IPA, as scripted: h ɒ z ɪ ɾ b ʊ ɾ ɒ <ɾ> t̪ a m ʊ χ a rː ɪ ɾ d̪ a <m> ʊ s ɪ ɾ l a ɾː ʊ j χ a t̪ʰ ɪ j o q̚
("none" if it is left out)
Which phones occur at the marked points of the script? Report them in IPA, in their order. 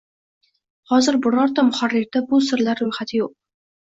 ɾ, b

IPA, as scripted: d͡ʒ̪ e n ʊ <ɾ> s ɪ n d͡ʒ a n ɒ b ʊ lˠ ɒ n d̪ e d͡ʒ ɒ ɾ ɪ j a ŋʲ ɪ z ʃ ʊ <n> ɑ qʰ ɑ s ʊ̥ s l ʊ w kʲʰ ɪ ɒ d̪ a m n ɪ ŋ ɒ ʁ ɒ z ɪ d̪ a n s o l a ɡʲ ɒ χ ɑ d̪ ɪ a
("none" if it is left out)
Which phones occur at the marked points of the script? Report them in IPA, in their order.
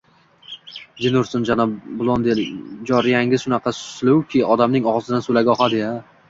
ɾ, n

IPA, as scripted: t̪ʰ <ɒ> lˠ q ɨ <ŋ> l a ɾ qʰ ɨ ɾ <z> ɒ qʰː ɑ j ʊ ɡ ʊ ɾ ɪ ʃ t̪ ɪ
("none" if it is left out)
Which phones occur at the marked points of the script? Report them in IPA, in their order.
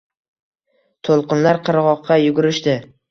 o, n, ʁ

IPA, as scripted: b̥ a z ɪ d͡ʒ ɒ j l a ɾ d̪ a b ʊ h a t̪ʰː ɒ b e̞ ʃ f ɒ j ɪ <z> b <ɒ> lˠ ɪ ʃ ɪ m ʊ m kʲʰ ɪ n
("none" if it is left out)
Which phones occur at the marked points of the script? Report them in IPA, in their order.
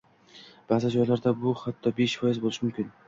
z, o

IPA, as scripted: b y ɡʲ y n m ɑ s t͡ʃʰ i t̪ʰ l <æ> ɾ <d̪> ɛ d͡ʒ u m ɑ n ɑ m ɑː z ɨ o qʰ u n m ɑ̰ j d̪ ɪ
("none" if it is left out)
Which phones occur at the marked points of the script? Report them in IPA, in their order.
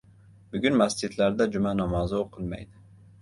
æ, d̪

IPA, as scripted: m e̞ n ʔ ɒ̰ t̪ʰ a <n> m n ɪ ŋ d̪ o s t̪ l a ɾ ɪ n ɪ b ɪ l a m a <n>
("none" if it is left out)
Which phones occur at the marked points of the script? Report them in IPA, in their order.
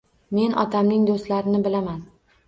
none, n

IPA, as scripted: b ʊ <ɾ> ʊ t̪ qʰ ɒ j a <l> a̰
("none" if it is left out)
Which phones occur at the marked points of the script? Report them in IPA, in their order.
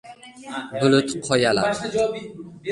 l, l

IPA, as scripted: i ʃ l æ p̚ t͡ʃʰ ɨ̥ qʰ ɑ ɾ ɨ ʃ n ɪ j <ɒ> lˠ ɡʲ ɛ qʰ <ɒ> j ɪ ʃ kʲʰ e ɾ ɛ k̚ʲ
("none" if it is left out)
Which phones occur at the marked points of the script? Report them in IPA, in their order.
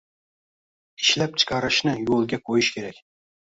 o, o

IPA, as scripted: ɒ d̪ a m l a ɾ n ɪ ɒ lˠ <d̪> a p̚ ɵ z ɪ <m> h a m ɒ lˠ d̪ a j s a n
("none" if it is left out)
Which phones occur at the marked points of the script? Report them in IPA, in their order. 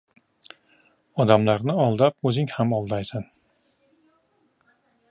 d̪, ŋ

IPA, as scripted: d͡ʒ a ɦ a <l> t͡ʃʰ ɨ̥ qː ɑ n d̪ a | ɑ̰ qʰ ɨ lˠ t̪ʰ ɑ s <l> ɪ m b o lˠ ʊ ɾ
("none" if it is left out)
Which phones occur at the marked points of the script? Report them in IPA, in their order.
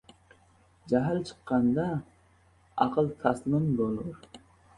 l, l

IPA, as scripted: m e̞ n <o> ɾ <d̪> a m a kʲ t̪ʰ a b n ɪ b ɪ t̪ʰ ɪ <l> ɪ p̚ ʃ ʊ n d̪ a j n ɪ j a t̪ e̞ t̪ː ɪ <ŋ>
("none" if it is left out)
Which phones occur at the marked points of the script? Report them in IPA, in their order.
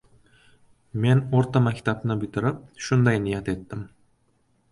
o, t̪, ɾ, m

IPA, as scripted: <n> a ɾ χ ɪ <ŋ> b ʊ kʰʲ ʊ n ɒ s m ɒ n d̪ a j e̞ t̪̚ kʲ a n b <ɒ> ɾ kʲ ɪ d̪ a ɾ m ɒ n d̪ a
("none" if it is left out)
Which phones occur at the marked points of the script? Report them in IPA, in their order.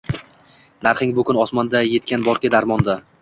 n, ŋ, ɒ

